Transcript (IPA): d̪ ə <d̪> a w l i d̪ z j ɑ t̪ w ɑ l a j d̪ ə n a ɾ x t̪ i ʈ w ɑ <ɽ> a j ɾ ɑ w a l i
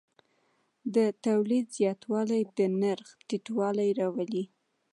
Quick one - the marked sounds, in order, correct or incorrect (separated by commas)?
incorrect, incorrect